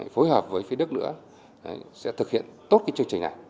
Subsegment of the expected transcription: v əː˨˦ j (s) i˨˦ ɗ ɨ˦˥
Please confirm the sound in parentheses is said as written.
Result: no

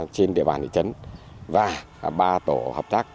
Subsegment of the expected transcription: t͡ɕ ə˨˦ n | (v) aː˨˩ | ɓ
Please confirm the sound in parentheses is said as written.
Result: yes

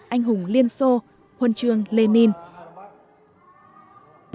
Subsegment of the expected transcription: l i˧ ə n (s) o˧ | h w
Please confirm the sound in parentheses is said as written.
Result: yes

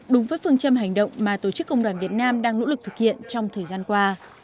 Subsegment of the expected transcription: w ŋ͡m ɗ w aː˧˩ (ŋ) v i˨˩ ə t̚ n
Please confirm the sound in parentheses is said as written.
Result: no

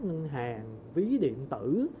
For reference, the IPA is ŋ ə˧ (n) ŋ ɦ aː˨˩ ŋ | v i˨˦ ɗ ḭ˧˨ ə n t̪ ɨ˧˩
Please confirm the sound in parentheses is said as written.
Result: no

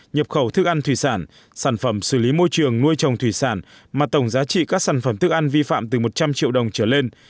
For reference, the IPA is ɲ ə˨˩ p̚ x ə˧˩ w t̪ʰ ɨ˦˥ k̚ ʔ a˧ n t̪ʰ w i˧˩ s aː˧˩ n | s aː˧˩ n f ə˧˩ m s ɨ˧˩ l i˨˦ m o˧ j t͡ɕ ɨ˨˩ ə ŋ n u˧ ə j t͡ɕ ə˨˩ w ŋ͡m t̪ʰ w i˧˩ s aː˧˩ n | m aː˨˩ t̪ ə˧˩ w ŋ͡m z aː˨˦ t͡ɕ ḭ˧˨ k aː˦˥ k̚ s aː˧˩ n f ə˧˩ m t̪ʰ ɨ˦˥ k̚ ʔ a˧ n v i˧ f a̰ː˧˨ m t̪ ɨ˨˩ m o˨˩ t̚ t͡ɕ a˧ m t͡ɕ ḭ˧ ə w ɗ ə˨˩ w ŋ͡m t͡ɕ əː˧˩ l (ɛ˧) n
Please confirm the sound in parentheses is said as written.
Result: no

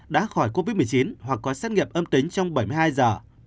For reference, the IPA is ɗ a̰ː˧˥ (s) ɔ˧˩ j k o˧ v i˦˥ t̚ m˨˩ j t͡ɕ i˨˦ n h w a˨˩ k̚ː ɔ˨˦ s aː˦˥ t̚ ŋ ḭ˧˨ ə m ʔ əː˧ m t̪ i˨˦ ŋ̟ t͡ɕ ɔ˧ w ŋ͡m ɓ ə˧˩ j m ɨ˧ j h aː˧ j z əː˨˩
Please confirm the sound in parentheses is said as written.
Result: no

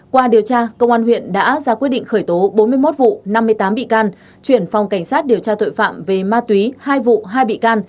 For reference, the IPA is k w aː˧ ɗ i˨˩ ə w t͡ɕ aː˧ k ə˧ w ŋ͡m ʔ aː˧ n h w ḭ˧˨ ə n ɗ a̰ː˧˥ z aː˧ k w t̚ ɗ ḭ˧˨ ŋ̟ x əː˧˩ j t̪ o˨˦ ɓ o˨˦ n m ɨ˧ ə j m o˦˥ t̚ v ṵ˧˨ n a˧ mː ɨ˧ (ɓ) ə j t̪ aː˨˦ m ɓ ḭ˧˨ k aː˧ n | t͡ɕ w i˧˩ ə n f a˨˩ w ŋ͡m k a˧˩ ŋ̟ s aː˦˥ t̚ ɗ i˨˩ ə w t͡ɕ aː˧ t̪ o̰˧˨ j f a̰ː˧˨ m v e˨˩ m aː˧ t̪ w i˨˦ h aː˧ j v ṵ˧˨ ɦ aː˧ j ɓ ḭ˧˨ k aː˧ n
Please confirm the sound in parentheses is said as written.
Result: no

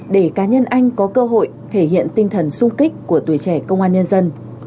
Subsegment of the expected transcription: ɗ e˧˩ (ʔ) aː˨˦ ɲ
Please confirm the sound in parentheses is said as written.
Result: no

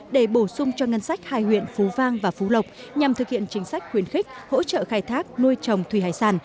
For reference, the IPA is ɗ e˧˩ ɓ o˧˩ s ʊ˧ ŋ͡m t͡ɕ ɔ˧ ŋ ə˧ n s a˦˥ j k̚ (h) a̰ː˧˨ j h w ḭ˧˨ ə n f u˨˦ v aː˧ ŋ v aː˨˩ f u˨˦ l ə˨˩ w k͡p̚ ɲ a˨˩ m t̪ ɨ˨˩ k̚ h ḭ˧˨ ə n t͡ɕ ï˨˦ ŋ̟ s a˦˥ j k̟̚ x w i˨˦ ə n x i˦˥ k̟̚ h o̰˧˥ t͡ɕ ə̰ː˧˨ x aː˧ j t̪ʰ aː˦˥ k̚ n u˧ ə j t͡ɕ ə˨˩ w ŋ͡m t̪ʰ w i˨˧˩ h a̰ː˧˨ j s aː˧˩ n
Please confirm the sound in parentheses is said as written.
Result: yes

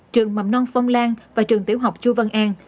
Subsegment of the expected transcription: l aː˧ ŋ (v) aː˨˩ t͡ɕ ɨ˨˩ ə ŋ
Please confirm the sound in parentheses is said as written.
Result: yes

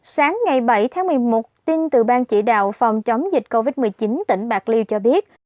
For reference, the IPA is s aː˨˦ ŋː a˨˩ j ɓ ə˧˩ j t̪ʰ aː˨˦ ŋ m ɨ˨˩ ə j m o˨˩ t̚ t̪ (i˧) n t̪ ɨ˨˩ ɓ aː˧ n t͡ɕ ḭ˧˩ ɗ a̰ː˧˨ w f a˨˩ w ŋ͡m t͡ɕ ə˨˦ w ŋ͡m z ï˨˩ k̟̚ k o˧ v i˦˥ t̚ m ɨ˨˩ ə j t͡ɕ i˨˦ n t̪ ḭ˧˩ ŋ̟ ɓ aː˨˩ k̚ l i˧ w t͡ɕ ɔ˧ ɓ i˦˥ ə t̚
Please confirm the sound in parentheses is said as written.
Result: yes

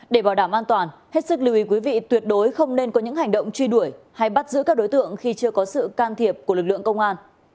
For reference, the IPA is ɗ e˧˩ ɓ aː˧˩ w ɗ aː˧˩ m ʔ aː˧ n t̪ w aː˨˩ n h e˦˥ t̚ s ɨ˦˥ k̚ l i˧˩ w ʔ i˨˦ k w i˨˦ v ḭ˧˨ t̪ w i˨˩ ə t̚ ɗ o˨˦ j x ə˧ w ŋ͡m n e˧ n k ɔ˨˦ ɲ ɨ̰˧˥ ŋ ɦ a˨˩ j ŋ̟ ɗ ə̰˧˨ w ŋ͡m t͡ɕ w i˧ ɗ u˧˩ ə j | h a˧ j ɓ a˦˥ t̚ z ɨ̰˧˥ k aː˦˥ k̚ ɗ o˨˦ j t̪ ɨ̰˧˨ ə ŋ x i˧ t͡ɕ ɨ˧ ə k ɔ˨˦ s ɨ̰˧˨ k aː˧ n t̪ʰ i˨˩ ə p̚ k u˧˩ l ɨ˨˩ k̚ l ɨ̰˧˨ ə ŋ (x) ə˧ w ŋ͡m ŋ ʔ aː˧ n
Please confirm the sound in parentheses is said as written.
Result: no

